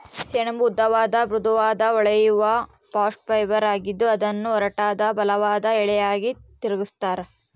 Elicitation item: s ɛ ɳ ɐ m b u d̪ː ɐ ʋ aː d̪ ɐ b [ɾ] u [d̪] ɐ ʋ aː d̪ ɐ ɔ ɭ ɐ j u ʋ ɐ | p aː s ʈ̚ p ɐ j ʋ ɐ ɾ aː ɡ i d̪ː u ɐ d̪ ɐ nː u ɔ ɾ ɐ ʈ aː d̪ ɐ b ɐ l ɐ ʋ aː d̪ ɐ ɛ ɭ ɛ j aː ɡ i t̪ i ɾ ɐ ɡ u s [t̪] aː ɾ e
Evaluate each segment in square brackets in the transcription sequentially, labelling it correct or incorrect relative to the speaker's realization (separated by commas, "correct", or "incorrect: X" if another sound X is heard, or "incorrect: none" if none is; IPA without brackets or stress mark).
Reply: correct, correct, correct